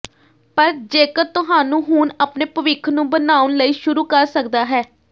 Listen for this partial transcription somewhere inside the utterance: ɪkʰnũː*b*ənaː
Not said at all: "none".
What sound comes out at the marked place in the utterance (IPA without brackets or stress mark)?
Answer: b